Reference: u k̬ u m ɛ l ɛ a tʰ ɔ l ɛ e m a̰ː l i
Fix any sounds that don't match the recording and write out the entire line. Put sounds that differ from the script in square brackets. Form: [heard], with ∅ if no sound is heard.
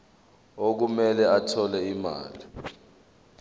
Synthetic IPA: [o] k̬ u m ɛ l ɛ a tʰ ɔ l ɛ [i] m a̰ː l i